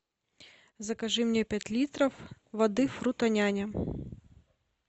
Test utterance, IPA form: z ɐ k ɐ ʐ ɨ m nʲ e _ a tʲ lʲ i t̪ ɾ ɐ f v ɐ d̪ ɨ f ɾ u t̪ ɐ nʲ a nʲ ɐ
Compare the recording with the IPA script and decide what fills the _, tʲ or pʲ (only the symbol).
pʲ